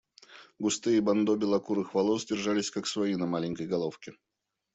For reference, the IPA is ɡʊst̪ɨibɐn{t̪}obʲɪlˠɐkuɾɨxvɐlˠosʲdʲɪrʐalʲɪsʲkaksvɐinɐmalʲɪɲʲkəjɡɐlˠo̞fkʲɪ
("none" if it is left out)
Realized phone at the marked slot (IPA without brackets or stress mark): d̪